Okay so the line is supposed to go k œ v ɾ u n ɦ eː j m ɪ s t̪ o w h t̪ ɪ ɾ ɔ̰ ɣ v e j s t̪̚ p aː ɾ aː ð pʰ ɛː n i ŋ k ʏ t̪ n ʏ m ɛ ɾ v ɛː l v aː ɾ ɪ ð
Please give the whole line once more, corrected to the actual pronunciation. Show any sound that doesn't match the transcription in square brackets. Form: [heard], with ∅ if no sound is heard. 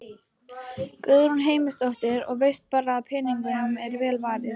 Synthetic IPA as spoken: k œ [ð] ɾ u n ɦ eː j m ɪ s t̪ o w h t̪ ɪ ɾ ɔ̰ ɣ v e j s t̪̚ p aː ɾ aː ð pʰ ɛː n i ŋ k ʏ [∅] n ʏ m ɛ ɾ v ɛː l v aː ɾ ɪ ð